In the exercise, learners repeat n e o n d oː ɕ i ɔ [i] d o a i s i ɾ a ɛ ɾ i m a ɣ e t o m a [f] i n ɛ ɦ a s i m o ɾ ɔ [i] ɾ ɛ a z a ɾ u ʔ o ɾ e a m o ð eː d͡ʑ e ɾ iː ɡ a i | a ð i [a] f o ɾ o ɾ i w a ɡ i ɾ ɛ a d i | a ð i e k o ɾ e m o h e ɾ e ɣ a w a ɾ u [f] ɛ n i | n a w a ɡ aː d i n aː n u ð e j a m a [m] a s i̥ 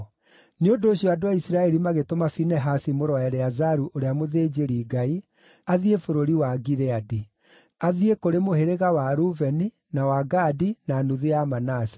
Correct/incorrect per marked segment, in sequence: incorrect: a, correct, incorrect: ɛ, incorrect: e, incorrect: v, incorrect: n

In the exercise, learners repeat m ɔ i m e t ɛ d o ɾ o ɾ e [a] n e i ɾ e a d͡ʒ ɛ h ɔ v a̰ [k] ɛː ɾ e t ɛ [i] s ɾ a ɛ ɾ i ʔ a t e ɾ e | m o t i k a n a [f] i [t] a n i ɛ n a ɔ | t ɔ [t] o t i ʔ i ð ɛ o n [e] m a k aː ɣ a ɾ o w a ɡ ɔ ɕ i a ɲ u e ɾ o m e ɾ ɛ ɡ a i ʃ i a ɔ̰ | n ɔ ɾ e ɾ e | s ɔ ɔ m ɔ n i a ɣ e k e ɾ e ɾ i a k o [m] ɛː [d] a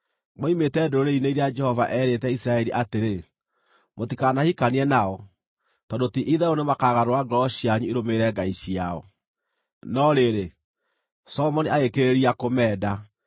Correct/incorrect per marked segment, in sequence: incorrect: i, incorrect: ʔ, correct, incorrect: h, incorrect: k, incorrect: d, correct, correct, correct

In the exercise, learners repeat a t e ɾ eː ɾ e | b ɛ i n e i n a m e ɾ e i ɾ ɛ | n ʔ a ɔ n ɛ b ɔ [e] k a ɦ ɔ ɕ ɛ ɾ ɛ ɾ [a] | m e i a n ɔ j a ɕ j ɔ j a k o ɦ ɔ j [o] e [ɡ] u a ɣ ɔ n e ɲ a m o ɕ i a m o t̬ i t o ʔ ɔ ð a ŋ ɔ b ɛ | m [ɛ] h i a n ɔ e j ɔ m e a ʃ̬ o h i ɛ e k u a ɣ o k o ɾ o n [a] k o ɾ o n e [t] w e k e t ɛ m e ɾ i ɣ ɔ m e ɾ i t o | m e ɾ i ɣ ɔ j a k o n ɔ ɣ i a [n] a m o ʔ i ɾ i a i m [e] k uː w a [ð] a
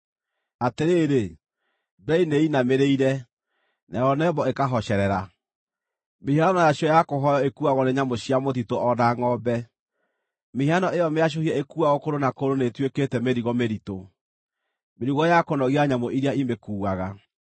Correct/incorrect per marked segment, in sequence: correct, correct, incorrect: ɔ, incorrect: k, incorrect: e, correct, correct, incorrect: ɲ, correct, incorrect: ɣ

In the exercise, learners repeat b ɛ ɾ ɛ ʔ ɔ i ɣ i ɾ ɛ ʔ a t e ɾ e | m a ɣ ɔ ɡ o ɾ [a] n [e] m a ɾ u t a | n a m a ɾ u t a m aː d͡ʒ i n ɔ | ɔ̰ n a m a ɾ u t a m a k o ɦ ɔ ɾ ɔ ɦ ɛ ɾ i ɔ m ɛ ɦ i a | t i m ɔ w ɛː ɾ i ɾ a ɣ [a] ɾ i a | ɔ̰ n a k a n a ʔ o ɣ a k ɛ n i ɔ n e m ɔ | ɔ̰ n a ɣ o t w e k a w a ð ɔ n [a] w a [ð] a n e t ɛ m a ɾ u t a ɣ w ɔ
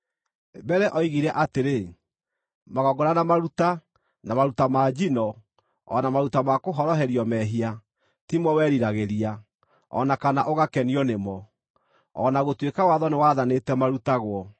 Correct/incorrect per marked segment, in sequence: correct, incorrect: a, incorrect: e, incorrect: e, correct

